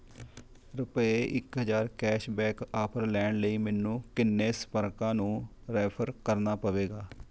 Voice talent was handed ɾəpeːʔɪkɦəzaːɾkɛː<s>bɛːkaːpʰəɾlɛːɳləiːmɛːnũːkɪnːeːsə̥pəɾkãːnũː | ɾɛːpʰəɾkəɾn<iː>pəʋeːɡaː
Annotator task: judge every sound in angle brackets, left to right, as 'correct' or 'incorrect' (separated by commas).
incorrect, incorrect